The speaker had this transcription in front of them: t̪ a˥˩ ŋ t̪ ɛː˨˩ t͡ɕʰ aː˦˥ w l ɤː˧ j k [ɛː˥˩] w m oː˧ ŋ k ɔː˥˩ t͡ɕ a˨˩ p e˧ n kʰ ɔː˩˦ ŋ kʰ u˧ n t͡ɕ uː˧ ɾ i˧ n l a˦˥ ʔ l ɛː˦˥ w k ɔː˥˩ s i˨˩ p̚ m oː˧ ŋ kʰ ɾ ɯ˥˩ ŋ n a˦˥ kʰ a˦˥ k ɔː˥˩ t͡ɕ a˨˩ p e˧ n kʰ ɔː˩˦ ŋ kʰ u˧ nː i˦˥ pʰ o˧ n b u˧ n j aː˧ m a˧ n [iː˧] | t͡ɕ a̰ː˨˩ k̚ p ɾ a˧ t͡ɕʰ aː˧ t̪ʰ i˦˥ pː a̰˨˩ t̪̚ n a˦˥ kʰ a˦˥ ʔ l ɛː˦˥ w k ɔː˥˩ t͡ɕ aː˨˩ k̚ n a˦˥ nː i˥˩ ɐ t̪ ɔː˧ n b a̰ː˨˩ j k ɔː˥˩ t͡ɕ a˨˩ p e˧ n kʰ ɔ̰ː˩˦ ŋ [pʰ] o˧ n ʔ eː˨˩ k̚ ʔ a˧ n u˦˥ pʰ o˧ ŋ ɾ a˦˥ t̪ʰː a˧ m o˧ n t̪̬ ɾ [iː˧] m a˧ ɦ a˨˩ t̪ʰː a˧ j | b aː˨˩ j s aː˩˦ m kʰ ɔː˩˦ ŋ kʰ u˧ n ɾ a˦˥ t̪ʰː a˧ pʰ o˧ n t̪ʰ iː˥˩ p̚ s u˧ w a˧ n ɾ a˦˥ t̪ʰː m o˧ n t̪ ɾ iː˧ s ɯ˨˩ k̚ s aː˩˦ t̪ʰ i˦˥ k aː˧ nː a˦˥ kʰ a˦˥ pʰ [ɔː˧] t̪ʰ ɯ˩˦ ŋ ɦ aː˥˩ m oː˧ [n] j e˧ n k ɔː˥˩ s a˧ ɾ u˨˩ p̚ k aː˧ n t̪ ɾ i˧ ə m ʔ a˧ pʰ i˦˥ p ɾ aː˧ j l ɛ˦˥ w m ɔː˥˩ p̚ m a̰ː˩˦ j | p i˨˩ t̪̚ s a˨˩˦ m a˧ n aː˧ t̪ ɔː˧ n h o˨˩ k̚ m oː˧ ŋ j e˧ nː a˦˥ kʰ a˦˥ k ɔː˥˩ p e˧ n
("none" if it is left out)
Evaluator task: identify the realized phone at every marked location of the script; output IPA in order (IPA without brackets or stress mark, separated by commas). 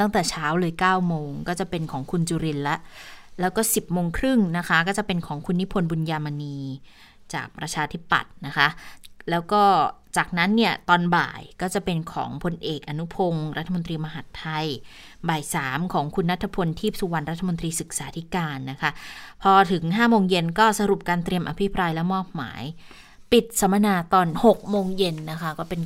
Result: aː˥˩, iː˧, pʰ, iː˧, ɔː˧, ŋ